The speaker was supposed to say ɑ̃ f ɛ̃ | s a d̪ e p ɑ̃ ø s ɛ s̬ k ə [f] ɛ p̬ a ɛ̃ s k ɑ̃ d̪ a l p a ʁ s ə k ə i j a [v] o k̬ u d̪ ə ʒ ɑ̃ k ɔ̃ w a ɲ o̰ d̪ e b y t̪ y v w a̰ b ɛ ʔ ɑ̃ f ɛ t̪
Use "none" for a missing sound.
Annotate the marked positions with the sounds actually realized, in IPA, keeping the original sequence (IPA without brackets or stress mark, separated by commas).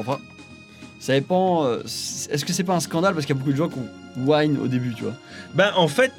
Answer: s, b